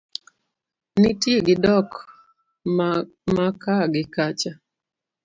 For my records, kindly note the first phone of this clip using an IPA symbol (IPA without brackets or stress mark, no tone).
n